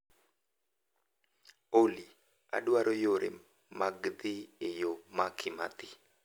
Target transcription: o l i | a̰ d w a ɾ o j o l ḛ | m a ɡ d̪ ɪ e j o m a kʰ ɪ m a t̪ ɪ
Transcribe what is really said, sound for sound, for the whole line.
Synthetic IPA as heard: o l i | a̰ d w a ɾ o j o ɾ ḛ | m a ɡ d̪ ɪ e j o m a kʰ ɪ m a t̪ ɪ